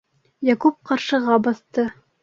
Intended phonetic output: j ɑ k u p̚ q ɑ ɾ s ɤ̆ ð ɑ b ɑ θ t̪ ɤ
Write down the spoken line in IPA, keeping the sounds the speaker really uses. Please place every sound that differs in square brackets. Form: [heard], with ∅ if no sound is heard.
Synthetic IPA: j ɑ k u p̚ q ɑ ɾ [ʃ] ɤ̆ [ʁ] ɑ b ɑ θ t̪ ɤ